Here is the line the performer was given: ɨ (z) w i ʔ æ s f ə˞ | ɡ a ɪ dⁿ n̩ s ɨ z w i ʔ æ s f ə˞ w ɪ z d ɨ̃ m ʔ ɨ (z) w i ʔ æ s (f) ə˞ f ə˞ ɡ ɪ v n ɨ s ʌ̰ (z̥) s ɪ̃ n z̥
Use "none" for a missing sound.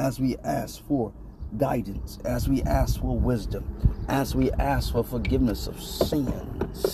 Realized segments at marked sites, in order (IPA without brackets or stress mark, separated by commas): z, z, f, v̥